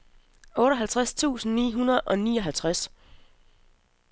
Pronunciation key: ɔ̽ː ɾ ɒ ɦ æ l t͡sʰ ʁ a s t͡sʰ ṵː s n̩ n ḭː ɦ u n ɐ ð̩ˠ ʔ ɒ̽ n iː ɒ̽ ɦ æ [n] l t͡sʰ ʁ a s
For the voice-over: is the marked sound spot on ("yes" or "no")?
no